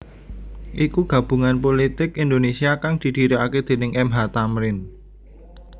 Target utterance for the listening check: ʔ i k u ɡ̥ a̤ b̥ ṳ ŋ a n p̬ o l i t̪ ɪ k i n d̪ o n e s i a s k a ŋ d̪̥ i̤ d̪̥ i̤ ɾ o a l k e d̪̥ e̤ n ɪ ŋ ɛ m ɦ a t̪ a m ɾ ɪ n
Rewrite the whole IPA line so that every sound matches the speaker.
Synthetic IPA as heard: ʔ i k u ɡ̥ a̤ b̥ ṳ ŋ a n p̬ o l i t̪ ɪ k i n d̪ o n e s i a k a ŋ d̪̥ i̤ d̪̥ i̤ ɾ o a k e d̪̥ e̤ n ɪ ŋ ɛ m ɦ a t̪ a m ɾ ɪ n